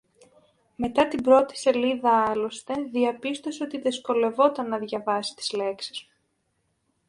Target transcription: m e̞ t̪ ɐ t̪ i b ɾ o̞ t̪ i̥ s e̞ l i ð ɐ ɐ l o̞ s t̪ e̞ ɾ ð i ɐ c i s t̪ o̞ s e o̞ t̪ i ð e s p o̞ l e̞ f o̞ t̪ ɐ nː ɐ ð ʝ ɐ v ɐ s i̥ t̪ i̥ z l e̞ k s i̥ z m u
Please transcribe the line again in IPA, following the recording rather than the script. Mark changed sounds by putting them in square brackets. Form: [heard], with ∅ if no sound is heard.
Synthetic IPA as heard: m e̞ t̪ ɐ t̪ i b ɾ o̞ t̪ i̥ s e̞ l i ð ɐ ɐ l o̞ s t̪ e̞ [∅] ð i ɐ [p] i s t̪ o̞ s e o̞ t̪ i ð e s [k] o̞ l e̞ [v] o̞ t̪ ɐ nː ɐ ð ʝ ɐ v ɐ s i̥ t̪ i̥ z l e̞ k s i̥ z m u

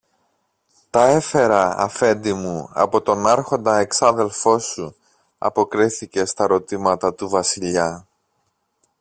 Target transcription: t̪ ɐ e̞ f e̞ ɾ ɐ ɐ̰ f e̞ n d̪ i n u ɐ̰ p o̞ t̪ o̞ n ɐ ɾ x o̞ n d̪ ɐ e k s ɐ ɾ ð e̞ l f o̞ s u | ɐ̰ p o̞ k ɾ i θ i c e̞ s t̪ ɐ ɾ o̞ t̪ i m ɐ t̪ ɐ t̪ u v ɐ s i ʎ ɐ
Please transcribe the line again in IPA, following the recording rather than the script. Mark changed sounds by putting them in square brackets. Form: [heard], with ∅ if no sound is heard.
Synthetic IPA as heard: t̪ ɐ e̞ f e̞ ɾ ɐ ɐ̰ f e̞ n d̪ i [m] u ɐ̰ p o̞ t̪ o̞ n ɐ ɾ x o̞ n d̪ ɐ e k s ɐ [∅] ð e̞ l f o̞ s u | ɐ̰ p o̞ k ɾ i θ i c e̞ s t̪ ɐ ɾ o̞ t̪ i m ɐ t̪ ɐ t̪ u v ɐ s i ʎ ɐ

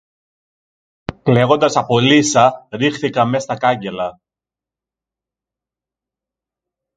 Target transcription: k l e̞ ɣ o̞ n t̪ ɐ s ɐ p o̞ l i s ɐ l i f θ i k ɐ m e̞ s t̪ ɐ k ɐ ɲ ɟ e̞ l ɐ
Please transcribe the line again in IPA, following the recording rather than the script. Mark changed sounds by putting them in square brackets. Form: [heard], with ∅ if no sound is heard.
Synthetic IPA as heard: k l e̞ ɣ o̞ n [d̪] ɐ s ɐ p o̞ l i s ɐ [ɾ] i [x] θ i k ɐ m e̞ s t̪ ɐ k ɐ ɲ ɟ e̞ l ɐ

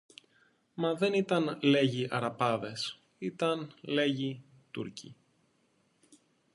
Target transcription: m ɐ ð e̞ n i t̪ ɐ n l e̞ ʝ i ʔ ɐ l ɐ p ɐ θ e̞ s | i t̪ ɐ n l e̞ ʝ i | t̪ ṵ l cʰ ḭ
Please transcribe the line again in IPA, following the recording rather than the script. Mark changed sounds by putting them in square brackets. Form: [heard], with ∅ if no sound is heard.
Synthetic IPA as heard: m ɐ ð e̞ n i t̪ ɐ n l e̞ ʝ i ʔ ɐ [ɾ] ɐ p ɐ [ð] e̞ s | i t̪ ɐ n l e̞ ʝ i | t̪ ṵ [ɾ] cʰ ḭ

